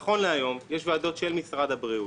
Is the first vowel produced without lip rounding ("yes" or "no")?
no